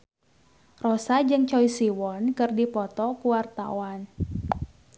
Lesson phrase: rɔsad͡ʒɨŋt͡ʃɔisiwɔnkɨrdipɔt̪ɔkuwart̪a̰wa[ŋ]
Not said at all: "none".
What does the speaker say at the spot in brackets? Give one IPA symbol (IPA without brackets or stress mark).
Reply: n